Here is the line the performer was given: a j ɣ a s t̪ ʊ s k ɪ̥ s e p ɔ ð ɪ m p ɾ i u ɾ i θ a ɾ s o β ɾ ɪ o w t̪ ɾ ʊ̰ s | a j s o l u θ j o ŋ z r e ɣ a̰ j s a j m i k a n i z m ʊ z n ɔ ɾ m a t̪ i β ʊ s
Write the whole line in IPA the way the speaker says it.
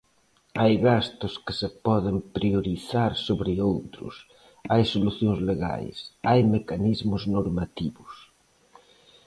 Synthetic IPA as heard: a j ɣ a s t̪ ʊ s k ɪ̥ s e p ɔ ð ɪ m p ɾ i o ɾ i θ a ɾ s o β ɾ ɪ o w t̪ ɾ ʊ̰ s | a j s o l u θ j o ŋ z l e ɣ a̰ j s a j m e k a n i z m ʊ z n o ɾ m a t̪ i β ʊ s